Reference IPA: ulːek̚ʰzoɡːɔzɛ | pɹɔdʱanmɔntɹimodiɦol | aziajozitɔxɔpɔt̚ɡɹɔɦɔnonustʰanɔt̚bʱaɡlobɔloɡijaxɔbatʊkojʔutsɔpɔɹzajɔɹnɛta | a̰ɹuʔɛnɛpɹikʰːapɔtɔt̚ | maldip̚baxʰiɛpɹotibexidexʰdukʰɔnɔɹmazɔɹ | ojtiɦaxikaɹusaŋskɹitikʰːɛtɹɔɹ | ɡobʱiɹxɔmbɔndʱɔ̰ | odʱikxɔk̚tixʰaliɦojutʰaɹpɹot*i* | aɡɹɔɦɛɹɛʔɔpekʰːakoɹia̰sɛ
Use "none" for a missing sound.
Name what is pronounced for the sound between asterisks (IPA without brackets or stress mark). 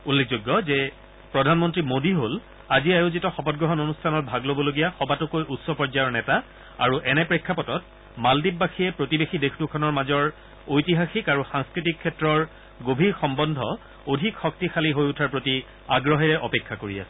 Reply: i